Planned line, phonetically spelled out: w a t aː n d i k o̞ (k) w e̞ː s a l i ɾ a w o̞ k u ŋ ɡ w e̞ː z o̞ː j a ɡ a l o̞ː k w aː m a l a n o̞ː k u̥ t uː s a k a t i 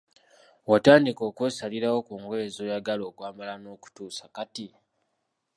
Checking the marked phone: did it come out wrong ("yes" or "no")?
no